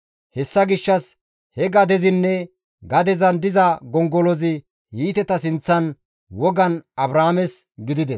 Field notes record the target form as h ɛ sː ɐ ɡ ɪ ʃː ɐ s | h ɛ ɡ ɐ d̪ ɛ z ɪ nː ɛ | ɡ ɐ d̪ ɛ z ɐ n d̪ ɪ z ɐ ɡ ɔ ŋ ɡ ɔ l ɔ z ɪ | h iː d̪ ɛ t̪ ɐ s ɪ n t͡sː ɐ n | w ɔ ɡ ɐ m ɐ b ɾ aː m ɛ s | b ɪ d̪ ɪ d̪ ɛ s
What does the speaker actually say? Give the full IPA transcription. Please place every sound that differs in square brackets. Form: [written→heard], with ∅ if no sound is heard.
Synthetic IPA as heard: h ɛ sː ɐ ɡ ɪ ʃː ɐ s | h ɛ ɡ ɐ d̪ ɛ z ɪ nː ɛ | ɡ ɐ d̪ ɛ z ɐ n d̪ ɪ z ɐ ɡ ɔ ŋ ɡ ɔ l ɔ z ɪ | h iː [d̪→t̪] ɛ t̪ ɐ s ɪ n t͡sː ɐ n | w ɔ ɡ ɐ [m→n] ɐ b ɾ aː m ɛ s | [b→ɡ] ɪ d̪ ɪ d̪ ɛ s